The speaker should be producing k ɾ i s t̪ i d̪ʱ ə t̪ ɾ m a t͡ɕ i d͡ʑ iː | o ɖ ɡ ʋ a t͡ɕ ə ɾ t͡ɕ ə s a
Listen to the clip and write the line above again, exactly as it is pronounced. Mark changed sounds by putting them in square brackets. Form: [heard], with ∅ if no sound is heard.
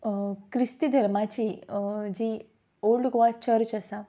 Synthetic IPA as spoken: k ɾ i s t̪ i d̪ʱ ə [∅] ɾ m a t͡ɕ i d͡ʑ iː | o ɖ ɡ ʋ a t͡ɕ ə ɾ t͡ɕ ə s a